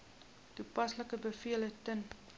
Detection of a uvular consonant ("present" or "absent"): absent